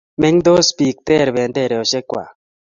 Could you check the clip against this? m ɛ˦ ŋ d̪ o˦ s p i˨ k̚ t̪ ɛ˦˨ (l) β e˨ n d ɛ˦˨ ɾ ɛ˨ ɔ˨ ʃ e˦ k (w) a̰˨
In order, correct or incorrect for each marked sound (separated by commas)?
incorrect, correct